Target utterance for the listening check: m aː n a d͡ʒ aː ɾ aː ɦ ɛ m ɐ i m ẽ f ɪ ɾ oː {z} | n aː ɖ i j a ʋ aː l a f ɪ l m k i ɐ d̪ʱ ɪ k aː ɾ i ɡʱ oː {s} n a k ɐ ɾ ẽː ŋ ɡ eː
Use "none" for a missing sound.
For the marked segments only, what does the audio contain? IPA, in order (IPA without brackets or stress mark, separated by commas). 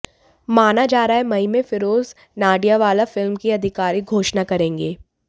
z, ʃ